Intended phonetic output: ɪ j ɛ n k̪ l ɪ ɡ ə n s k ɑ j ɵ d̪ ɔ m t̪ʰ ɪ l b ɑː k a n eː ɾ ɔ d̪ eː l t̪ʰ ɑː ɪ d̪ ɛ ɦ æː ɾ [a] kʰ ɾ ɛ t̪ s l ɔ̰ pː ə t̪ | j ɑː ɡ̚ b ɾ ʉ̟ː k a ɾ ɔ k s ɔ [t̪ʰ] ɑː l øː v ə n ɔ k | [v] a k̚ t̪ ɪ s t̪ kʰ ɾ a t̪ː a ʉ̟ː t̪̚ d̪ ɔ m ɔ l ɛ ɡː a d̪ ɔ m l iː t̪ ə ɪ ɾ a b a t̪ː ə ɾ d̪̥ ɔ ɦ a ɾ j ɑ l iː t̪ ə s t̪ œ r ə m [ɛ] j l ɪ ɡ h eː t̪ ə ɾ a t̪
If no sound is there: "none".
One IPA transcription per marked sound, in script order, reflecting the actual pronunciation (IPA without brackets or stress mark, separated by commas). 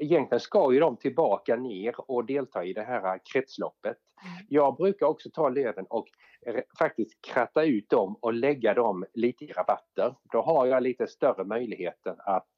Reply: a, t̪ʰ, f, œ